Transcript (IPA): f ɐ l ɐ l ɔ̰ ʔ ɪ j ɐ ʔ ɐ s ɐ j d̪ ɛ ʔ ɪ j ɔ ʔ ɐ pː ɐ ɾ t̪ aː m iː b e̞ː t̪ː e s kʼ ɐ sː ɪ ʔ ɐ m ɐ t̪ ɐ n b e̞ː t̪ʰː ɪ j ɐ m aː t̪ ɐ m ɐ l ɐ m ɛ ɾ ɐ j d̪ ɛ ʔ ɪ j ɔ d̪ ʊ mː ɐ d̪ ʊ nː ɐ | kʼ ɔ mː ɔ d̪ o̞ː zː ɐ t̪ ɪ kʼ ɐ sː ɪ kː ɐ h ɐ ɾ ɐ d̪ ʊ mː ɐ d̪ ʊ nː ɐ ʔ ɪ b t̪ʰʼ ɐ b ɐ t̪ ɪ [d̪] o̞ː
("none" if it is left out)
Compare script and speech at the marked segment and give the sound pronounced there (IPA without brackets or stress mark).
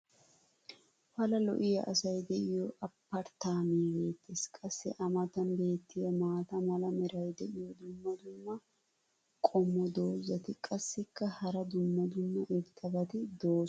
d̪